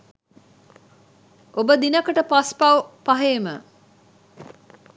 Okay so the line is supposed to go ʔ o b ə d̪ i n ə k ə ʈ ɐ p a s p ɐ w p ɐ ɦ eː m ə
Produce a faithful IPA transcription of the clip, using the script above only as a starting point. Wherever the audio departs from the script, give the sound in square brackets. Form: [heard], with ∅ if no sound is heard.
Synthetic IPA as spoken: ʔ o b ə d̪ i n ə k ə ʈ [ə] p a s p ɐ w p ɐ ɦ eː m ə

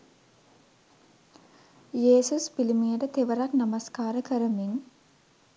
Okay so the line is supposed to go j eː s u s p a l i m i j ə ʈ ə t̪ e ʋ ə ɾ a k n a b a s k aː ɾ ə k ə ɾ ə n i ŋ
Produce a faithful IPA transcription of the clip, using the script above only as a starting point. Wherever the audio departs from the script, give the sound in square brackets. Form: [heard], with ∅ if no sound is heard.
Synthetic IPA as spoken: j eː s u s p [i] l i m i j ə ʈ ə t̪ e ʋ ə ɾ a k n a [m] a s k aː ɾ ə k ə ɾ ə [m] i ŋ

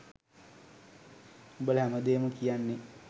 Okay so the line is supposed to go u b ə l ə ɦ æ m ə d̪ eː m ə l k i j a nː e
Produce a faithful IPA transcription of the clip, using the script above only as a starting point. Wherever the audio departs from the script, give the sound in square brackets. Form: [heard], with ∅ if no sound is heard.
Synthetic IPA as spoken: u b ə l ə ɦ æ m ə d̪ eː m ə [∅] k i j a nː e

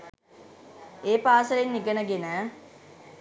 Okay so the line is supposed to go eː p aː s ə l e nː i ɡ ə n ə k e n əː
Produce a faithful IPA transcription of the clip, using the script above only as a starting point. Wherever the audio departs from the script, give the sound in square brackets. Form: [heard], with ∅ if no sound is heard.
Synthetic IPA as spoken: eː p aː s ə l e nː i ɡ ə n ə [ɡ] e n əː

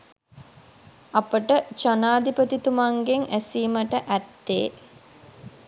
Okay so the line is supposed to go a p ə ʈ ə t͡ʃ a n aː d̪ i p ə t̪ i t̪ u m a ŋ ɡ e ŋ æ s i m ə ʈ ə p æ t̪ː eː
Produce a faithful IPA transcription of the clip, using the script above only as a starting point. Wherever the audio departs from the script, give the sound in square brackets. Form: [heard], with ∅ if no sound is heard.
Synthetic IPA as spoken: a p ə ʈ ə t͡ʃ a n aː d̪ i p ə t̪ i t̪ u m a ŋ ɡ e ŋ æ s [iː] m ə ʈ ə [ʔ] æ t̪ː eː

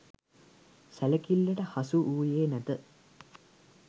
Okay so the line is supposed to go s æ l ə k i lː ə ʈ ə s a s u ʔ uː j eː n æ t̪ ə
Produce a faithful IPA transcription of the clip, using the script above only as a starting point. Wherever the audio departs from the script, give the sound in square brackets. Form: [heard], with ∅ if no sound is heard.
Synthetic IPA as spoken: s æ l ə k i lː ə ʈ ə [h] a s u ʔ uː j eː n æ t̪ ə

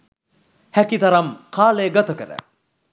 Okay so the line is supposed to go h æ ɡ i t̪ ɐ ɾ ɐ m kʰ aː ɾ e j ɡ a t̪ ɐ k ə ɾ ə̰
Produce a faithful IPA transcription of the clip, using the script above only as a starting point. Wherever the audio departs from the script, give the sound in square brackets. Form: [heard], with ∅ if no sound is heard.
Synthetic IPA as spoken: h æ [k] i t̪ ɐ ɾ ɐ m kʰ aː [l] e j ɡ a t̪ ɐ k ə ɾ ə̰

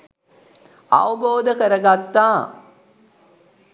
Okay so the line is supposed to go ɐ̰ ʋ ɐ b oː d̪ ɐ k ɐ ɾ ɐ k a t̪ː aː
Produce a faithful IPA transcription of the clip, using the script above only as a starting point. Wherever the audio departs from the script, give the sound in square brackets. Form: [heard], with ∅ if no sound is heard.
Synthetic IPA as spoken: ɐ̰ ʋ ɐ b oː d̪ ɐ k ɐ ɾ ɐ [ɡ] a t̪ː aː

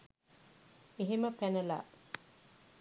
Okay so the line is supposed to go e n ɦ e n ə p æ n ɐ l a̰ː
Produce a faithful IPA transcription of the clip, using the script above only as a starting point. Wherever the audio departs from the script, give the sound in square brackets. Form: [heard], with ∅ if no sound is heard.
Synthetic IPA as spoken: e [∅] ɦ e [m] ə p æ n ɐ l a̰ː

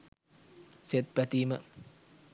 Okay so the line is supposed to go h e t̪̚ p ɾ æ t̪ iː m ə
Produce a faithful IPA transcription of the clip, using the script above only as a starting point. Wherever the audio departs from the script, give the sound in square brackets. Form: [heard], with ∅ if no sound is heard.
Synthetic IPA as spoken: [s] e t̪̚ p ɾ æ t̪ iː m ə

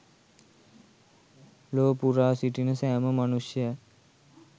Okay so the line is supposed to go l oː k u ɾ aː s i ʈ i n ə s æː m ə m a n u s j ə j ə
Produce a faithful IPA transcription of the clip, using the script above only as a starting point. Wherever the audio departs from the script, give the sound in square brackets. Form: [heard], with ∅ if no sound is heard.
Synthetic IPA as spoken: l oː [p] u ɾ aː s i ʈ i n ə s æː m ə m a n u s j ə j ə

